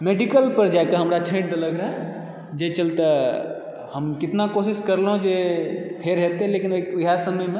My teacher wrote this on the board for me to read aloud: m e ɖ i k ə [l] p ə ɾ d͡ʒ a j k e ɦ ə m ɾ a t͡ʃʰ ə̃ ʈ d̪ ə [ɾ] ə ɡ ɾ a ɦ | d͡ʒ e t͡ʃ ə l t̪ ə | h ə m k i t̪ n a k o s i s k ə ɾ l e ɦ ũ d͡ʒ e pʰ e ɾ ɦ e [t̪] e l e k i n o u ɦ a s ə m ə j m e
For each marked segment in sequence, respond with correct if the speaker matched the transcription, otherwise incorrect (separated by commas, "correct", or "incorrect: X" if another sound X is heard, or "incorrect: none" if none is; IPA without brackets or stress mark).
correct, incorrect: l, correct